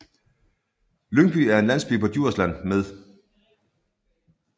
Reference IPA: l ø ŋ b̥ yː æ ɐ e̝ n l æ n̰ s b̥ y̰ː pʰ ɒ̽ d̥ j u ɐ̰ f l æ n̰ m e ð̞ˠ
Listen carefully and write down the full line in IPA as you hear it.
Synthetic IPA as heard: l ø ŋ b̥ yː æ ɐ e̝ n l æ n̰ s b̥ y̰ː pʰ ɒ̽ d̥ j u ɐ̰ s l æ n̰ m e ð̞ˠ